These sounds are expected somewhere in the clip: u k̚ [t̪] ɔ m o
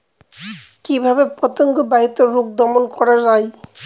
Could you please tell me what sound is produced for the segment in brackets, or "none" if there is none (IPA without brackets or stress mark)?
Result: d̪